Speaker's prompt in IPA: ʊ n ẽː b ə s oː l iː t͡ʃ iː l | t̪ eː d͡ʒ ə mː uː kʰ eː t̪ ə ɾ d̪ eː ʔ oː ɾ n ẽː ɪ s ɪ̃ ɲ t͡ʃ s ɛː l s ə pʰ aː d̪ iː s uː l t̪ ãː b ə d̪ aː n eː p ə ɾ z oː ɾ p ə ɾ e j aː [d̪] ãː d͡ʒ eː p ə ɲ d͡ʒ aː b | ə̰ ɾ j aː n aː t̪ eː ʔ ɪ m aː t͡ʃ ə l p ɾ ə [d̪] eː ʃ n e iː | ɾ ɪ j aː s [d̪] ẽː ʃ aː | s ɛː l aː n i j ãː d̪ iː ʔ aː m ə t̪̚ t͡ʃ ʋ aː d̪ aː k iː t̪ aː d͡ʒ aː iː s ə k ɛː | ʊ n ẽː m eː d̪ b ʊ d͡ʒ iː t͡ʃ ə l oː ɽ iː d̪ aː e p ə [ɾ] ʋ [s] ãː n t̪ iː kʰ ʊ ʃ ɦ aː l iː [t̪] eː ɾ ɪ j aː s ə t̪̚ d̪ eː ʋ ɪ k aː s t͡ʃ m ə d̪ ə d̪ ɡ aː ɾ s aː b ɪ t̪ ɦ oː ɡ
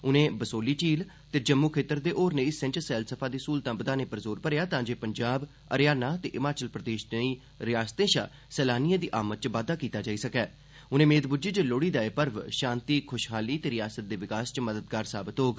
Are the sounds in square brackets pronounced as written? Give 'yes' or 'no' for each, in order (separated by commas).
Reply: no, yes, no, yes, no, yes